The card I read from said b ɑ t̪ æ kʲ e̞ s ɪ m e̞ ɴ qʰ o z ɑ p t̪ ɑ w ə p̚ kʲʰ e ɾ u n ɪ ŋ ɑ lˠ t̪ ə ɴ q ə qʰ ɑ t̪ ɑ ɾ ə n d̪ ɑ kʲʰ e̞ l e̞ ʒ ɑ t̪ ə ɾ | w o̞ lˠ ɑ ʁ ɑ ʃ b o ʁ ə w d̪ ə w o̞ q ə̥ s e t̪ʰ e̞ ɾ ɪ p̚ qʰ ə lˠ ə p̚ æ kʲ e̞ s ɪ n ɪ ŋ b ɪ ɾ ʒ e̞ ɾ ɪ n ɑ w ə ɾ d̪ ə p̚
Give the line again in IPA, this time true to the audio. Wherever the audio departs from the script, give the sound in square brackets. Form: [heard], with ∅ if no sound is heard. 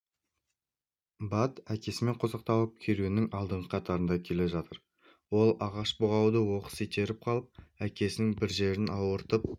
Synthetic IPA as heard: b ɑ t̪ æ kʲ e̞ s ɪ m e̞ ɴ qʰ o z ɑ [q] t̪ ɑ w ə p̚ kʲʰ e ɾ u n ɪ ŋ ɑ lˠ [d̪] ə ɴ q ə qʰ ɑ t̪ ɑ ɾ ə n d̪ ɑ kʲʰ e̞ l e̞ ʒ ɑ t̪ ə ɾ | w o̞ lˠ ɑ ʁ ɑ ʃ b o ʁ [ɑ] w d̪ ə w o̞ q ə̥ s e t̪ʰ e̞ ɾ ɪ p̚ qʰ [ɑ] lˠ ə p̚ æ kʲ e̞ s ɪ n ɪ ŋ b ɪ ɾ ʒ e̞ ɾ ɪ n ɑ w ə ɾ [t̪] ə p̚